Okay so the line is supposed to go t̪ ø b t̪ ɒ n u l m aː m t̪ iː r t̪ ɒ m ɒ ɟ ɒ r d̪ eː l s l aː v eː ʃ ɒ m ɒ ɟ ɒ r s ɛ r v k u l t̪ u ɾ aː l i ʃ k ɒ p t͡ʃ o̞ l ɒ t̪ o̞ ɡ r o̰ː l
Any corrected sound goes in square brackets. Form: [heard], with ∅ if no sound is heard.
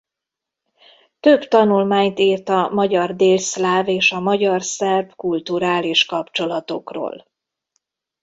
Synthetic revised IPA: t̪ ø b t̪ ɒ n u l m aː [ɲ] t̪ iː r t̪ ɒ m ɒ ɟ ɒ r d̪ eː l s l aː v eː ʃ ɒ m ɒ ɟ ɒ r s ɛ r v k u l t̪ u ɾ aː l i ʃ k ɒ p t͡ʃ o̞ l ɒ t̪ o̞ [k] r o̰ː l

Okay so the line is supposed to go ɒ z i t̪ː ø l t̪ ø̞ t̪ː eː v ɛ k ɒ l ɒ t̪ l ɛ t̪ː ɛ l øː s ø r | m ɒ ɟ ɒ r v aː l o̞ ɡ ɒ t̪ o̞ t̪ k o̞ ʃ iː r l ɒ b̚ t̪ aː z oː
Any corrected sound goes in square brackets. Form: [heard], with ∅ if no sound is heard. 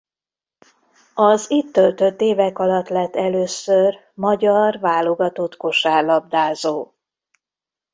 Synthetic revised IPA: ɒ z i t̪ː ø l t̪ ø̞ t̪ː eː v ɛ k ɒ l ɒ t̪ l ɛ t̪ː ɛ l øː s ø r | m ɒ ɟ ɒ r v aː l o̞ ɡ ɒ t̪ o̞ t̪ k o̞ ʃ [aː] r l ɒ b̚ [d̪] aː z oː

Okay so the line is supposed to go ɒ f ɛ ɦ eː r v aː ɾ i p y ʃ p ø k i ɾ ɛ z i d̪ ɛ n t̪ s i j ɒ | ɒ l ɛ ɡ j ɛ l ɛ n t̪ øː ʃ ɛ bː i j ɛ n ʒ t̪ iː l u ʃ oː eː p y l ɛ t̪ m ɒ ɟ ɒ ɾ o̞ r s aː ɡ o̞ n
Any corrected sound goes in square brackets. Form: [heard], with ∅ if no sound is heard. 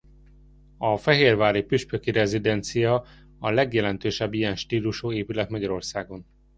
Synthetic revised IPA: ɒ f ɛ ɦ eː r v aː ɾ i p y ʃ p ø k i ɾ ɛ z i d̪ ɛ n t̪ s i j ɒ | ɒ l ɛ ɡ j ɛ l ɛ n t̪ øː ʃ ɛ bː i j ɛ n [ʃ] t̪ iː l u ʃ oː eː p y l ɛ t̪ m ɒ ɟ ɒ ɾ o̞ r s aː ɡ o̞ n

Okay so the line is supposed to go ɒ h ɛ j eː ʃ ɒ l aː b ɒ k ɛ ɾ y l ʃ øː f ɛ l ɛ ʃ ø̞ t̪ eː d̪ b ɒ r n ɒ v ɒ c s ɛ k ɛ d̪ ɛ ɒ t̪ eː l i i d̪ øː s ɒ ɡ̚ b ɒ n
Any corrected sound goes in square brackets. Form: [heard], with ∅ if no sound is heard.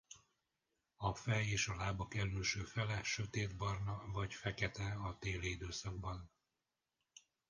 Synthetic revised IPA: ɒ [f] ɛ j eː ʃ ɒ l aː b ɒ k ɛ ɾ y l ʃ øː f ɛ l ɛ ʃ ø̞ t̪ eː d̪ b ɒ r n ɒ v ɒ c [f] ɛ k ɛ [t̪] ɛ ɒ t̪ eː l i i d̪ øː s ɒ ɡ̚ b ɒ n

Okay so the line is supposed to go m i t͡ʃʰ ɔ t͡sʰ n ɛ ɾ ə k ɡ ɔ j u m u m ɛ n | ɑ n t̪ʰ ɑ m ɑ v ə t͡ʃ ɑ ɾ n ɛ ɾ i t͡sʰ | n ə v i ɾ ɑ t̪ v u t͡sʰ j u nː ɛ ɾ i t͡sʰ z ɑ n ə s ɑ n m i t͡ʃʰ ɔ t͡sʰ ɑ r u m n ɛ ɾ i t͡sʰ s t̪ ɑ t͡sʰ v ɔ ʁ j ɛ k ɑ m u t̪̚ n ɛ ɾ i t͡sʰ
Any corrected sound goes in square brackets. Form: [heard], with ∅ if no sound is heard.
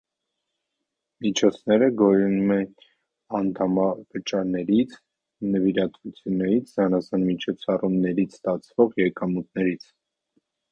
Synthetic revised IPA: m i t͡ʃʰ ɔ t͡sʰ n ɛ ɾ ə [∅] ɡ ɔ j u [n] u m ɛ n | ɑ n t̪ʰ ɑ m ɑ v ə t͡ʃ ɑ ɾ n ɛ ɾ i t͡sʰ | n ə v i ɾ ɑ t̪ v u t͡sʰ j u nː ɛ ɾ i t͡sʰ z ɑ n [ɑ] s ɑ n m i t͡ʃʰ ɔ t͡sʰ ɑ r u m n ɛ ɾ i t͡sʰ s t̪ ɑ t͡sʰ v ɔ ʁ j ɛ k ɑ m u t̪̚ n ɛ ɾ i t͡sʰ

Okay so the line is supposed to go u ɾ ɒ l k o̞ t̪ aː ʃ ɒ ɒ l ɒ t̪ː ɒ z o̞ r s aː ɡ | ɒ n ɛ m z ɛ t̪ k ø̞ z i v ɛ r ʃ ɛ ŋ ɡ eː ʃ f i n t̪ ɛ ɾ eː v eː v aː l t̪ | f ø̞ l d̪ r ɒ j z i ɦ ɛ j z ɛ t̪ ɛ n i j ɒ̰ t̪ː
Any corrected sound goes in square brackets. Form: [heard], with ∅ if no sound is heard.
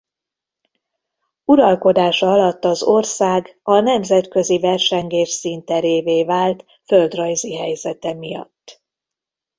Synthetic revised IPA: u ɾ ɒ l k o̞ [d̪] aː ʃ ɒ ɒ l ɒ t̪ː ɒ z o̞ r s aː ɡ | ɒ n ɛ m z ɛ t̪ k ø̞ z i v ɛ r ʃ ɛ ŋ ɡ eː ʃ [s] i n t̪ ɛ ɾ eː v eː v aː l t̪ | f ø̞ l d̪ r ɒ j z i ɦ ɛ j z ɛ t̪ ɛ [m] i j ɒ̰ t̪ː

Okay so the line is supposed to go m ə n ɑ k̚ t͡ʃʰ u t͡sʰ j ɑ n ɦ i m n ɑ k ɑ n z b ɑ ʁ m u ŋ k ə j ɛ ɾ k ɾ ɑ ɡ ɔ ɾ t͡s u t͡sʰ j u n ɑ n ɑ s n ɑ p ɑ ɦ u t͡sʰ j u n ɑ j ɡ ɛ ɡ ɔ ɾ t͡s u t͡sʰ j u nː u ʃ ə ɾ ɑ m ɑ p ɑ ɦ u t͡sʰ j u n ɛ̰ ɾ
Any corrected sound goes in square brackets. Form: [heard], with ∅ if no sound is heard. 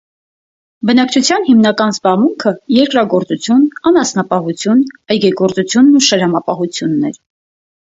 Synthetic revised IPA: [b] ə n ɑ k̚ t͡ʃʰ u t͡sʰ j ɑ n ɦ i m n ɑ k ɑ n z b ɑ ʁ m u ŋ [kʰ] ə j ɛ ɾ k ɾ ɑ ɡ ɔ ɾ t͡s u t͡sʰ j u n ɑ n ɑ s n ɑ p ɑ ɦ u t͡sʰ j u n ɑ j ɡ ɛ ɡ ɔ ɾ t͡s u t͡sʰ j u nː u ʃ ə ɾ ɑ m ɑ p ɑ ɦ u t͡sʰ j u [nː] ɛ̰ ɾ

